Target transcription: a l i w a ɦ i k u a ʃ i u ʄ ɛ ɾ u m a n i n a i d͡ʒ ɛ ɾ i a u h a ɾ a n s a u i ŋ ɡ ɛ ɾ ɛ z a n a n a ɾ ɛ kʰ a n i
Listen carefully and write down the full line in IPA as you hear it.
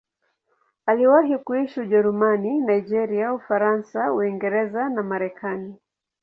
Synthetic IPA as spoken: a l i w a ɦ i k u i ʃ i u ʄ ɛ ɾ u m a n i n a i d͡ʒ ɛ ɾ i a u f a ɾ a n s a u i ŋ ɡ ɛ ɾ ɛ z a n a m a ɾ ɛ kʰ a n i